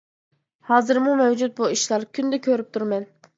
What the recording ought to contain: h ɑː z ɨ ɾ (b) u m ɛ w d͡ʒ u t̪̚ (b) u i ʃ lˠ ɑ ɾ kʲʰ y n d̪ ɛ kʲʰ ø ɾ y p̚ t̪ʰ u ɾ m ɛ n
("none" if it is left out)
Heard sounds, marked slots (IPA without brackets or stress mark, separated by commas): m, b